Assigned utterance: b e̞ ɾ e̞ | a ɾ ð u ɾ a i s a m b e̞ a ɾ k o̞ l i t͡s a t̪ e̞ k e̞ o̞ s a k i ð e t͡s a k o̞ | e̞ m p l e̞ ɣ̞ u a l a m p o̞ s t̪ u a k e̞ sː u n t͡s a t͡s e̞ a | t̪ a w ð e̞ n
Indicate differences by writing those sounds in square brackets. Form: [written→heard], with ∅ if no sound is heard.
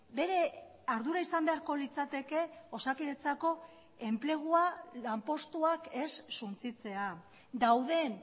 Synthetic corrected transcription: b e̞ ɾ e̞ | a ɾ ð u ɾ a i s a m b e̞ a ɾ k o̞ l i t͡s a t̪ e̞ k e̞ o̞ s a k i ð e t͡s a k o̞ | e̞ m p l e̞ ɣ̞ u a l a m p o̞ s t̪ u a k e̞ sː u n t͡s [a→i] t͡s e̞ a | [t̪→d̪] a w ð e̞ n

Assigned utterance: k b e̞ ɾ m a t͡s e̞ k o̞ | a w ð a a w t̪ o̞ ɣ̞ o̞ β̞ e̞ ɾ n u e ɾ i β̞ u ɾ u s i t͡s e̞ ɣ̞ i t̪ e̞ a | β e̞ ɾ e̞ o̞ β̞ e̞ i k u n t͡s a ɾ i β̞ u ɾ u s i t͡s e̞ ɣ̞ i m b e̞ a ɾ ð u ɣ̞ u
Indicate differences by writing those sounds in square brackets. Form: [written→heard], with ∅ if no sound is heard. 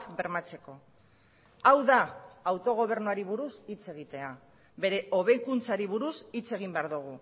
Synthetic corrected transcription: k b e̞ ɾ m a t͡s e̞ k o̞ | a w ð a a w t̪ o̞ ɣ̞ o̞ β̞ e̞ ɾ n u [e→a] ɾ i β̞ u ɾ u s i t͡s e̞ ɣ̞ i t̪ e̞ a | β e̞ ɾ e̞ o̞ β̞ e̞ [i→j] k u n t͡s a ɾ i β̞ u ɾ u s i t͡s e̞ ɣ̞ i m b e̞ a ɾ ð u ɣ̞ u

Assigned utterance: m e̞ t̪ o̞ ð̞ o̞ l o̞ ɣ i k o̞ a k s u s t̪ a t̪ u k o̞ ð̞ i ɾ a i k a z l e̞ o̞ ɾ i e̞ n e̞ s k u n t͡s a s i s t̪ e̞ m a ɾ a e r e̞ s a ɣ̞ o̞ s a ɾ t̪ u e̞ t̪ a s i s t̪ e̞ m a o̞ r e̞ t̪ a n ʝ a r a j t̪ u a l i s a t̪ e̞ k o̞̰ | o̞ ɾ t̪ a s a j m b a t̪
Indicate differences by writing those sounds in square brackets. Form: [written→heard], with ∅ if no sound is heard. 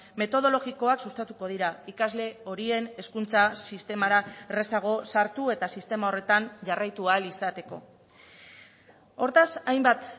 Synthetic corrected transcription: m e̞ t̪ o̞ ð̞ o̞ l o̞ ɣ i k o̞ a k s u s t̪ a t̪ u k o̞ ð̞ i ɾ a i k a z l e̞ o̞ ɾ i e̞ n e̞ s k u n t͡s a s i s t̪ e̞ m a ɾ a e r e̞ s a ɣ̞ o̞ s a ɾ t̪ u e̞ t̪ a s i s t̪ e̞ m a o̞ r e̞ t̪ a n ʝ a r a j t̪ u a l i s a t̪ e̞ k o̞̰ | o̞ ɾ t̪ a s a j m b a t̪

